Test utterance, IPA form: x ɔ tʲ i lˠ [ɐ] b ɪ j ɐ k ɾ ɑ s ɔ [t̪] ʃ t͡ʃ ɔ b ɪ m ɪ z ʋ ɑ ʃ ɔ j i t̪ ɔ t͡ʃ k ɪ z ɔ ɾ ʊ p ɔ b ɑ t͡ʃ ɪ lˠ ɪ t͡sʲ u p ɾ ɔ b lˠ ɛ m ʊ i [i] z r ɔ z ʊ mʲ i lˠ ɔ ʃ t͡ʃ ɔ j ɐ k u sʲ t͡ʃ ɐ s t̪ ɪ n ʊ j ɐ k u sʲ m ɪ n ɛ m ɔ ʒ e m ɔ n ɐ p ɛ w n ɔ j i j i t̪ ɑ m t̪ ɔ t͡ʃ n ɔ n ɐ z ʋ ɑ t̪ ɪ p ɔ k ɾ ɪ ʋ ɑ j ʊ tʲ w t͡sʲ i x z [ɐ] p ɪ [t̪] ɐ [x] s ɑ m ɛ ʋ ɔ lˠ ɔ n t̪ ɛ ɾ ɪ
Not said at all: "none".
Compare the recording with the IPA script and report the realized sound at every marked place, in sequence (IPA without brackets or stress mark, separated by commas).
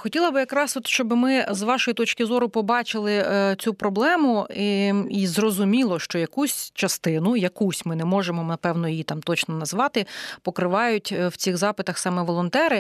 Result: ɐ, t̪, i, ɑ, t̪, x